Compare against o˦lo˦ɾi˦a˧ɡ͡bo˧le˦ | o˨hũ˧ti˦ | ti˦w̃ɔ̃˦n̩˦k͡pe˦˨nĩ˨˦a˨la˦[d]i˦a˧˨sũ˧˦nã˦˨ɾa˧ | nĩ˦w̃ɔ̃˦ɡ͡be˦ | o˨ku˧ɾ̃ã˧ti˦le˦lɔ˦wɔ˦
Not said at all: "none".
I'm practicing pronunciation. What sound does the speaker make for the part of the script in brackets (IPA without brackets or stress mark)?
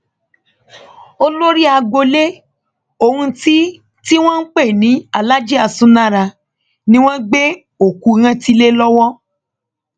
d͡ʒ